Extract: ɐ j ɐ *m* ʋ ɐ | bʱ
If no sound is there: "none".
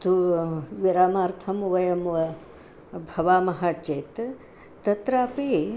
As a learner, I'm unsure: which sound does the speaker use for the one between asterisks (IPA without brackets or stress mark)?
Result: m